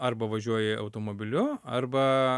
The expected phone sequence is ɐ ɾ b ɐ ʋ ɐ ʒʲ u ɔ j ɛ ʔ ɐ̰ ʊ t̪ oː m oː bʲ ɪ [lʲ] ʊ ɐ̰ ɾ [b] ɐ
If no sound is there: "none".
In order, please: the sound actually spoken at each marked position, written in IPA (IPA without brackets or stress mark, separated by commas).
lʲ, b